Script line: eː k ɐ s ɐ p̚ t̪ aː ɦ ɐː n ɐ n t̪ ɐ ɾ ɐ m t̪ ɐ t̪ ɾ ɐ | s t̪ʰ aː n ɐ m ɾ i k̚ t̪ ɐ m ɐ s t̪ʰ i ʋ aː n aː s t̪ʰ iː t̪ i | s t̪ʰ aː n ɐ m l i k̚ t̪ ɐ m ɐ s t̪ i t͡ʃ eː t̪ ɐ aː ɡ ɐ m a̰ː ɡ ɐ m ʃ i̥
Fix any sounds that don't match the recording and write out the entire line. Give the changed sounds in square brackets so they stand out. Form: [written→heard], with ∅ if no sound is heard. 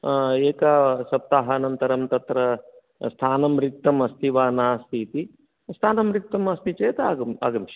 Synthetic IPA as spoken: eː k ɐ s ɐ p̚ t̪ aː ɦ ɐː n ɐ n t̪ ɐ ɾ ɐ m t̪ ɐ t̪ ɾ ɐ | s t̪ʰ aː n ɐ m ɾ i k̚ t̪ ɐ m ɐ s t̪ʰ i ʋ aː n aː s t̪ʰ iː t̪ i | s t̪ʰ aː n ɐ m [l→ɾ] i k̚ t̪ ɐ m ɐ s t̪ i t͡ʃ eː t̪ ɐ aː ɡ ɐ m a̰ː ɡ ɐ m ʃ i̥